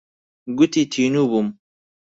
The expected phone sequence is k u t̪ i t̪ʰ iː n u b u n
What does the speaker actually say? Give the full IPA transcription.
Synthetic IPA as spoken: ɡ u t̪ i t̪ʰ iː n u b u m